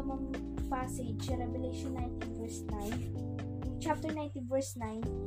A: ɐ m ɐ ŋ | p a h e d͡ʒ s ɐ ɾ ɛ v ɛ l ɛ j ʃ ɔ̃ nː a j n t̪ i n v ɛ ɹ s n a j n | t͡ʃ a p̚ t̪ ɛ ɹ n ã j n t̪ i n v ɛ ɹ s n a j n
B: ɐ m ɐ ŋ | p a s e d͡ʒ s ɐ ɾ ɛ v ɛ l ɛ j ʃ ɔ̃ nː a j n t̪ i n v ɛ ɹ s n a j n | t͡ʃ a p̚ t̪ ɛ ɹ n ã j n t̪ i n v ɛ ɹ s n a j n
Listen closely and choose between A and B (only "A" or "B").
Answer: B